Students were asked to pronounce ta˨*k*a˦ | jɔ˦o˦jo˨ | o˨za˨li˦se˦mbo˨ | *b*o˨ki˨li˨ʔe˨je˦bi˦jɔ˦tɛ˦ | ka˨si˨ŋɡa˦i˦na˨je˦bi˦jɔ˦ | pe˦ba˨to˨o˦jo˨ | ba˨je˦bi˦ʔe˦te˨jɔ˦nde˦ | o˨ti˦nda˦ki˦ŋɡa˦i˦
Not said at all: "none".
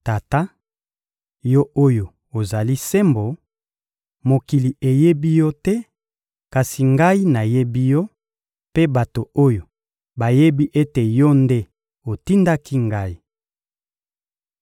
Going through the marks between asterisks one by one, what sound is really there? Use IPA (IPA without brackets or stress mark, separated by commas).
t, m